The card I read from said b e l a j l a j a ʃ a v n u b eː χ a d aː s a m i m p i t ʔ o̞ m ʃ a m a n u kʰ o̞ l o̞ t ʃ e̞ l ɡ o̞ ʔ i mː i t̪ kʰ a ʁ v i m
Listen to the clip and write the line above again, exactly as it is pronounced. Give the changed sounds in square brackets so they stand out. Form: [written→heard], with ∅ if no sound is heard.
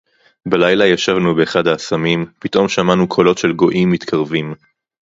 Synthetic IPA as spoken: b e l a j l a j a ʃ a v n u b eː χ a d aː s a m i m p i t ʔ o̞ m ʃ a m a n u kʰ o̞ l o̞ t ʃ e̞ l ɡ o̞ ʔ i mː i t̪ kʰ a ʁ v i m

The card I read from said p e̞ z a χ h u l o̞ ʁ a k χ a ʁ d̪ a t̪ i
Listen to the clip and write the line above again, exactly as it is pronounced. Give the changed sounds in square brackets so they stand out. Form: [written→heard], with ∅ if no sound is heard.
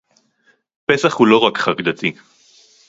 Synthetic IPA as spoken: p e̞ [z→s] a χ h u l o̞ ʁ a k χ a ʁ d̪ a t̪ i

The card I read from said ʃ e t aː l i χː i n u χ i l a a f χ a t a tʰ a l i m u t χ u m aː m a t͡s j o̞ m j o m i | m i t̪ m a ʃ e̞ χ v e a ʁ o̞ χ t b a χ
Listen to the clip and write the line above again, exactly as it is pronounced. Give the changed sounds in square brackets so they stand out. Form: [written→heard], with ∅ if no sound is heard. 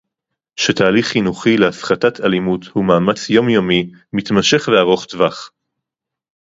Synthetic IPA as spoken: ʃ e t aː l i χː i n u χ i l [a→e] a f χ a t a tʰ a l i m u t [χ→h] u m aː m a t͡s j o̞ m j o m i | m i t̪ m a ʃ e̞ χ v e a ʁ o̞ χ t [b→v] a χ

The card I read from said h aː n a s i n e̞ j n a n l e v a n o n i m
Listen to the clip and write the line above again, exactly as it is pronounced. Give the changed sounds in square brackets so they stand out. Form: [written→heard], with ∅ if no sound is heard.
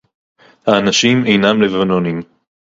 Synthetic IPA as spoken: h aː n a [s→ʃ] i [n→m] e̞ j n a [n→m] l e v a n o n i m

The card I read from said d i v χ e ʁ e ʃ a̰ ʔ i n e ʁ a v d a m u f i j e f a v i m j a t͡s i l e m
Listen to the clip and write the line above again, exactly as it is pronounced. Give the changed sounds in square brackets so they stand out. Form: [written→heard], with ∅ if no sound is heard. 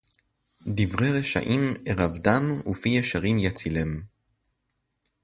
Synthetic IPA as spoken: d i v [χ→ʁ] e ʁ e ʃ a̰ ʔ i [n→m] e ʁ a v d a m u f i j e [f→ʃ] a [v→ʁ] i m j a t͡s i l e m

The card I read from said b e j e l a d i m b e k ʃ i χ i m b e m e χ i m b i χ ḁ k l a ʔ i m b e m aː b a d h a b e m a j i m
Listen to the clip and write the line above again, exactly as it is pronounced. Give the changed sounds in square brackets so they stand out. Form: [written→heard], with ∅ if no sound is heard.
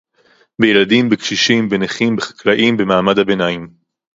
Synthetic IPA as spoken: b e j e l a d i m b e k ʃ i [χ→ʃ] i m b e [m→n] e χ i m b [i→e] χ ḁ k l a ʔ i m b e m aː [b→m] a d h a b e [m→n] a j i m

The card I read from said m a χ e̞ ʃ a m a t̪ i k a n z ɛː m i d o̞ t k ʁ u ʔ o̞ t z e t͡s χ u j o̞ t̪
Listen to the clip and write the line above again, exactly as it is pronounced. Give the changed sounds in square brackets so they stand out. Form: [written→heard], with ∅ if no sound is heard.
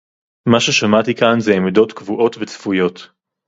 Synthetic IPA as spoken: m a [χ→ʃ] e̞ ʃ a m a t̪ i k a n z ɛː m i d o̞ t k [ʁ→v] u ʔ o̞ t [z→v] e t͡s [χ→f] u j o̞ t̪

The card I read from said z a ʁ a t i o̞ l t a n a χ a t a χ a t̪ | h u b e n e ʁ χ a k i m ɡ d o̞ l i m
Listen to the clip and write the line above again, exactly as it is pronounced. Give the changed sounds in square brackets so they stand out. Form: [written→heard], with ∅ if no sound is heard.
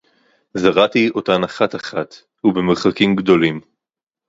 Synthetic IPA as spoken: z a ʁ a t i o̞ [l→∅] t a n a χ a t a χ a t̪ | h u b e [n→m] e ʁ χ a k i m ɡ d o̞ l i m

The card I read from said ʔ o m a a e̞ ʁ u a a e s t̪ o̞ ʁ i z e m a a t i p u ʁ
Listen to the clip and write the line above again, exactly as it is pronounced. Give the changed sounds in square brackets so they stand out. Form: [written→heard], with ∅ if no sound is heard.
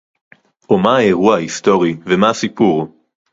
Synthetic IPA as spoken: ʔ o m a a e̞ ʁ u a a [e→i] s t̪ o̞ ʁ i [z→v] e m a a [t→s] i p u ʁ

